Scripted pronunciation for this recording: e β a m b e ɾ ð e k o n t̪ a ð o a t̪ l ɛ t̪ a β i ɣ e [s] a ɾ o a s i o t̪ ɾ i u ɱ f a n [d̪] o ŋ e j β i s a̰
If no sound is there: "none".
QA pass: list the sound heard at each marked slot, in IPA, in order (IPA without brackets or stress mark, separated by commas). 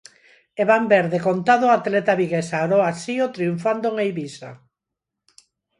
s, d̪